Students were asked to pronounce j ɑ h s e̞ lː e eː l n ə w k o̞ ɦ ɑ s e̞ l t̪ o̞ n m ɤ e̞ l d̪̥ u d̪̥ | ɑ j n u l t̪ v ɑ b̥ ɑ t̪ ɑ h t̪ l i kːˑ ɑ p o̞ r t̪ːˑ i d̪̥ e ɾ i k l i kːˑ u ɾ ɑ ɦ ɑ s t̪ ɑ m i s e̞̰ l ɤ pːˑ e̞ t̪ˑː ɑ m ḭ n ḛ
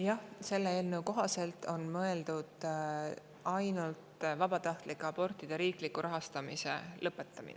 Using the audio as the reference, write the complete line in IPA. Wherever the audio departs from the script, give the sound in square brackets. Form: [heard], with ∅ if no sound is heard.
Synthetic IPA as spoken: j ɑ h s e̞ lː e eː l n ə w k o̞ ɦ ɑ s e̞ l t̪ o̞ n m ɤ e̞ l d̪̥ u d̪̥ | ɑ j n u l t̪ v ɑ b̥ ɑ t̪ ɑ h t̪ l i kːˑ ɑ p o̞ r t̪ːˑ i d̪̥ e ɾ [iː] k l i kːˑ u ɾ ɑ ɦ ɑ s t̪ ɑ m i s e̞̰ l ɤ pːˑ e̞ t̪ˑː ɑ m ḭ n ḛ